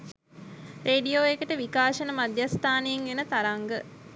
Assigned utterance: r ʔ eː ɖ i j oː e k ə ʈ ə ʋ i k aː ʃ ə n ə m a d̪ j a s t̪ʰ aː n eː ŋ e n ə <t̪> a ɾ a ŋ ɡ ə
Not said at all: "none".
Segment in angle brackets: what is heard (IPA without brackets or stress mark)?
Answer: t̪